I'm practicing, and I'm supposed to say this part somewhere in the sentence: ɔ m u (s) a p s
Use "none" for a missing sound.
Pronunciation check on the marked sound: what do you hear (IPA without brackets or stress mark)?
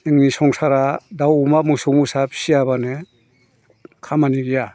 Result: s